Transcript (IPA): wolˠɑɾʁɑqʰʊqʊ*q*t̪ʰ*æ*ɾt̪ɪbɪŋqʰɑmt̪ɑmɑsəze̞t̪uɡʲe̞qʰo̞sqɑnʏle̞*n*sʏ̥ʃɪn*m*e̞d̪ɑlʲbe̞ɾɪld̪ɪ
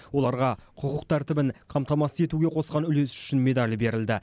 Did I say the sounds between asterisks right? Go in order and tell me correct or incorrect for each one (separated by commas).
correct, correct, incorrect, correct